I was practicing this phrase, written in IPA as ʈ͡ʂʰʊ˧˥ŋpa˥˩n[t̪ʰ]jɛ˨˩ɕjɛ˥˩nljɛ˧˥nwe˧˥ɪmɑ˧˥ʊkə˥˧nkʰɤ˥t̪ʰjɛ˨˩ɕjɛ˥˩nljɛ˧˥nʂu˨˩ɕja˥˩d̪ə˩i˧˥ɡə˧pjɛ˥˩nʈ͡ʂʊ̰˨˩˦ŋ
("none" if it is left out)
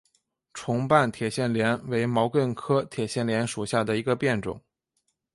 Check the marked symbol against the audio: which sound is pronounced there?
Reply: t̪ʰ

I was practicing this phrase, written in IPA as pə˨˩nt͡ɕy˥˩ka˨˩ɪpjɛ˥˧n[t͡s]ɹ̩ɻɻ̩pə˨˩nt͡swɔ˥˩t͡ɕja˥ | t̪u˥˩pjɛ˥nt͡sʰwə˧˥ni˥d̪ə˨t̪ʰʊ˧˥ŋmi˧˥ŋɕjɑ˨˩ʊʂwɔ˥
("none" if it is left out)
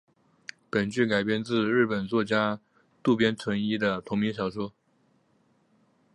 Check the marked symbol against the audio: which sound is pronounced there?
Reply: t͡s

